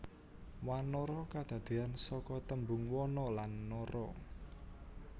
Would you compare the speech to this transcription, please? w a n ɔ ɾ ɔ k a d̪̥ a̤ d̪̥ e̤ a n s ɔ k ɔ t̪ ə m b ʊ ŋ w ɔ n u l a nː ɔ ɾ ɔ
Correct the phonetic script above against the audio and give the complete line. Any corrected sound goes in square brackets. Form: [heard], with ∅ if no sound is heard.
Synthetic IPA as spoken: w a n ɔ ɾ ɔ k a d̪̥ a̤ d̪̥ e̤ a n s ɔ k ɔ t̪ ə m b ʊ ŋ w ɔ n [ɔ] l a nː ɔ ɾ ɔ